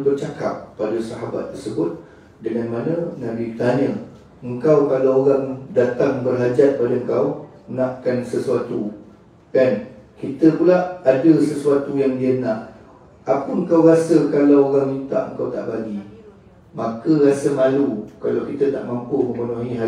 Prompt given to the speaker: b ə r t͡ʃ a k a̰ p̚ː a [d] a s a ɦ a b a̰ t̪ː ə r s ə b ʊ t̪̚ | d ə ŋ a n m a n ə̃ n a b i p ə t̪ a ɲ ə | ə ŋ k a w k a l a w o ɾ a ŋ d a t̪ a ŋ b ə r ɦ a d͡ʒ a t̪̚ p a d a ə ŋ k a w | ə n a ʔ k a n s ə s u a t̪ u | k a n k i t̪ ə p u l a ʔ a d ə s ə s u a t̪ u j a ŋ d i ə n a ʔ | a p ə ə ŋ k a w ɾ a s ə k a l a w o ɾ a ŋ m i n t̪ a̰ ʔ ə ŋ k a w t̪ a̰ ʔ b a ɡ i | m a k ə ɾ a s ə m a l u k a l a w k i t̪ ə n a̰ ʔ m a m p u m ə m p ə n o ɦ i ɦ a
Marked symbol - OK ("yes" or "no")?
yes